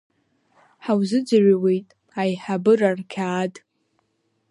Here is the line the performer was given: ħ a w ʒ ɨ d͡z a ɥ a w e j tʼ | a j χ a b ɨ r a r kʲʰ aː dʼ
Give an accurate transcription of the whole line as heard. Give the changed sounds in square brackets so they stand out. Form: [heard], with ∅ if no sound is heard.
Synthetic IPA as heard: ħ a w [z] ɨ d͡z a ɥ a w e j tʼ | a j [ħ] a b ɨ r a r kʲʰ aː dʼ